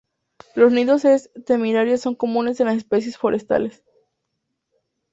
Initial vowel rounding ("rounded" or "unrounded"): rounded